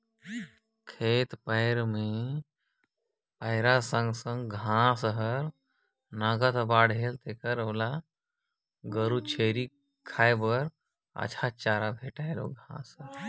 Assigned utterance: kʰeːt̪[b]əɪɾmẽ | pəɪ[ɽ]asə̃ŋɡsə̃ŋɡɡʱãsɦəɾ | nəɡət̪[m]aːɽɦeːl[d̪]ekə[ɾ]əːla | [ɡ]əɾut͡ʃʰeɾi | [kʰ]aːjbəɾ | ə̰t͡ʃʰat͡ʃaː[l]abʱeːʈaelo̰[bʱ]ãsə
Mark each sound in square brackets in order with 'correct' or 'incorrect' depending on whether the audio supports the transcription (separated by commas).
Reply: incorrect, incorrect, incorrect, incorrect, correct, correct, correct, incorrect, incorrect